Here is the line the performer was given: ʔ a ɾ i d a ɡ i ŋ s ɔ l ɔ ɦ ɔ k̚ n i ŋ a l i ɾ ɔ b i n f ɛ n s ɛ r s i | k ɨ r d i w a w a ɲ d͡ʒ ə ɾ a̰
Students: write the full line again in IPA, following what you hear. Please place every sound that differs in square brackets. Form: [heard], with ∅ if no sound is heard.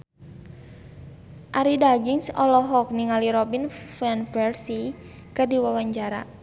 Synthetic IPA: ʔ a ɾ i d a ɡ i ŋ s ɔ l ɔ ɦ ɔ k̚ n i ŋ a l i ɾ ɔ b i n f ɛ n [f] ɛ r s i | k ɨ r d i w a w a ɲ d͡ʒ [a] ɾ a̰